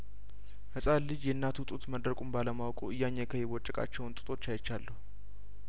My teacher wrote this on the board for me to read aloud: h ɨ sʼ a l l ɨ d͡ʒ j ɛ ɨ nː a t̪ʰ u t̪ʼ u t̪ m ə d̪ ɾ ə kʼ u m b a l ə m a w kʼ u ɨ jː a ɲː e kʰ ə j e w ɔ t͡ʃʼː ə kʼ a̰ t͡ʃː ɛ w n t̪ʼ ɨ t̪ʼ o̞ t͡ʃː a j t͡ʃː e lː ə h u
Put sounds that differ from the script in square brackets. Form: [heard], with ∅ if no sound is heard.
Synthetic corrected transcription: h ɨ sʼ a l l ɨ d͡ʒ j ɛ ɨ nː a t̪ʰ u t̪ʼ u t̪ m ə d̪ ɾ ə kʼ u m b a l ə m a w kʼ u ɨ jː a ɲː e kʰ ə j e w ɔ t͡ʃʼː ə kʼ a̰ t͡ʃː ɛ w n t̪ʼ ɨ t̪ʼ o̞ t͡ʃː a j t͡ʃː [a] lː ə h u